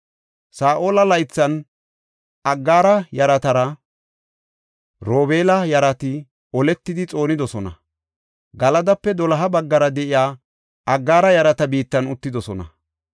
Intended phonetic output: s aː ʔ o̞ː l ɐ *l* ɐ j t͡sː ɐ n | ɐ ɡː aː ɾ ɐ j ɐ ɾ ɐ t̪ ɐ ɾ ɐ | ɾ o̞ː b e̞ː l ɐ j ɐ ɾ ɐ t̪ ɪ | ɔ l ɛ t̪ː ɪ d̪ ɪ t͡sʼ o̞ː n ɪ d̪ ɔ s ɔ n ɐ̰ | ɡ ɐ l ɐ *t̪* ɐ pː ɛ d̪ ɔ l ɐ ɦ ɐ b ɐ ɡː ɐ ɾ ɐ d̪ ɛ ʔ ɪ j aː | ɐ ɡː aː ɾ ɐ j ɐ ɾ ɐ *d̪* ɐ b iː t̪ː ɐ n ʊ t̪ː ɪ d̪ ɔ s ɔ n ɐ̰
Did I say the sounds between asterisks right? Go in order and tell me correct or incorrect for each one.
correct, incorrect, incorrect

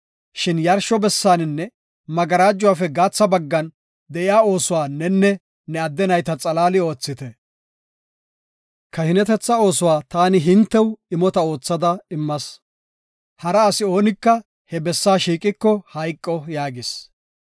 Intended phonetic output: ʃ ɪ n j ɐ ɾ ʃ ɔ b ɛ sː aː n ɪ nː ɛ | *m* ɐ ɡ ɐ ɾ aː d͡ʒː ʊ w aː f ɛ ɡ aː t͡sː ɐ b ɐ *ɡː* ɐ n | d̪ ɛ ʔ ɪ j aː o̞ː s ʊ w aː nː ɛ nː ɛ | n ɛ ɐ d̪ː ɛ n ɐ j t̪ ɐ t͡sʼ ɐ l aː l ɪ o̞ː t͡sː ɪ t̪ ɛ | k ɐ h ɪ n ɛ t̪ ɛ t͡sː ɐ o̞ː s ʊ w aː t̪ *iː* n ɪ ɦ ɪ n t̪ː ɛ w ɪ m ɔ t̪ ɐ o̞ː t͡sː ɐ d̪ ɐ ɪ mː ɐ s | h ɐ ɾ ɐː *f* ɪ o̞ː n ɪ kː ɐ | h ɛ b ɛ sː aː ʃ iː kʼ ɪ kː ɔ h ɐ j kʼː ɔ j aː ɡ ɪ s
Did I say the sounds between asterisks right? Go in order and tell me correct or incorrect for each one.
correct, correct, incorrect, incorrect

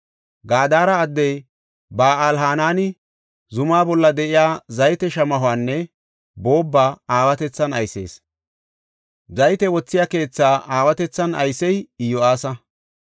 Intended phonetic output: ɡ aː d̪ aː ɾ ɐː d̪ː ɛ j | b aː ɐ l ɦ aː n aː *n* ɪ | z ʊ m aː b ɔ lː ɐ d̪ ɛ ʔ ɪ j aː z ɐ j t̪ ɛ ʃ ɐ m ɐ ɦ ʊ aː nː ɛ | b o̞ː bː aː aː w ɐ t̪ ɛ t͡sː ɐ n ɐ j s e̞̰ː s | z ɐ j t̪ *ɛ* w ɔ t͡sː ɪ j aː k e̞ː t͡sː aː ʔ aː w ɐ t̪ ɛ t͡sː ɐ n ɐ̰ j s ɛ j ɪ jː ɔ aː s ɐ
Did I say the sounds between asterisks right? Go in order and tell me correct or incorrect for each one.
correct, correct

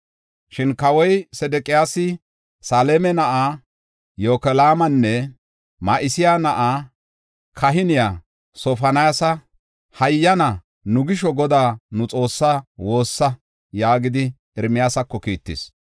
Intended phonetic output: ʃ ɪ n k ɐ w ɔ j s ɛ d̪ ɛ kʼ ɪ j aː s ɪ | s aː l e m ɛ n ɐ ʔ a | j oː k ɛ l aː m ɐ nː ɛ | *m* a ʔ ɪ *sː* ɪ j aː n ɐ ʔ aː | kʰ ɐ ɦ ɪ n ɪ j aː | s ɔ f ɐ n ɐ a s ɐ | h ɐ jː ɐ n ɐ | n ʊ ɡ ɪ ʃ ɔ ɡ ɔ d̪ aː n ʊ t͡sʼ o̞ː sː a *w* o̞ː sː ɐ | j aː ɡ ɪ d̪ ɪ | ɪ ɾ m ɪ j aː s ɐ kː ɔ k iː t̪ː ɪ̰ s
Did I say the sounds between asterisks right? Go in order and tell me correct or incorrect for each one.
correct, incorrect, correct

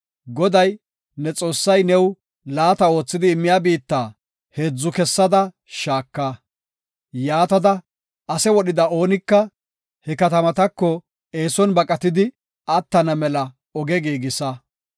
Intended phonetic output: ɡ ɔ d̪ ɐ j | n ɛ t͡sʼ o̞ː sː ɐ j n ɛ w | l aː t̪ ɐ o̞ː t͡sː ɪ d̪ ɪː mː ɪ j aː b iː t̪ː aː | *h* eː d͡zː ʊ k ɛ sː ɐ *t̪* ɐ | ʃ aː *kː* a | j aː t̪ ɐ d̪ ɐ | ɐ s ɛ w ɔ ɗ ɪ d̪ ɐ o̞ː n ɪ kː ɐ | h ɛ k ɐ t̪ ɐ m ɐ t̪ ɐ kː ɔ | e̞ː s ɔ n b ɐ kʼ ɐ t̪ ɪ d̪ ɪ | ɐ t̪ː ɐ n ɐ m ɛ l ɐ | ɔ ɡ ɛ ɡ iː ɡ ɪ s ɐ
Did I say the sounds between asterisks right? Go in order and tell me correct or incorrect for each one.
correct, incorrect, correct

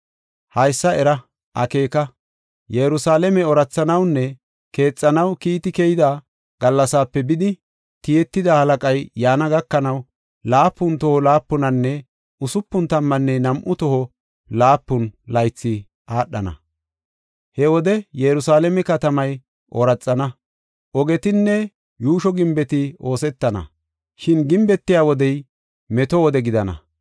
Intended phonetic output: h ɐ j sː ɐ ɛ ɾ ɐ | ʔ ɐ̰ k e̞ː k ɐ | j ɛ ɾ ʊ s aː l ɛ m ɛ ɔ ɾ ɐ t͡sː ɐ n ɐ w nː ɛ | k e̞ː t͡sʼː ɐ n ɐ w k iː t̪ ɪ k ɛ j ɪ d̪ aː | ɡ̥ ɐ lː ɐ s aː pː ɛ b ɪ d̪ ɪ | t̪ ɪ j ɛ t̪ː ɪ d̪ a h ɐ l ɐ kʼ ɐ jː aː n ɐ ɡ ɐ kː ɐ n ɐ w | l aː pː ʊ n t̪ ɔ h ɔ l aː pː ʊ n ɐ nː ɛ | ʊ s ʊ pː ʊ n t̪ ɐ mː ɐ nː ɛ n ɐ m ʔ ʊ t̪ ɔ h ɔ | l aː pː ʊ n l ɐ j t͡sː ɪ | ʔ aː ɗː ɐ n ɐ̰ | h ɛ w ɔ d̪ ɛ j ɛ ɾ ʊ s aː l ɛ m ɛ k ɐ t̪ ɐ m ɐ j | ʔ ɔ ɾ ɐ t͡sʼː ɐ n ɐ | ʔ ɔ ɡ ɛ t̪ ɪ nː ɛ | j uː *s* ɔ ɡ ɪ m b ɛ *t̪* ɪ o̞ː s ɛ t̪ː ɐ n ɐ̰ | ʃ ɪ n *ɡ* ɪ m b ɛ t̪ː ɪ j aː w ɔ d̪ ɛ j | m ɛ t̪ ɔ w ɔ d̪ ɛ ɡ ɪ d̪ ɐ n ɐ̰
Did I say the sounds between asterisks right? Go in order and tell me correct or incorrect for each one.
incorrect, correct, correct

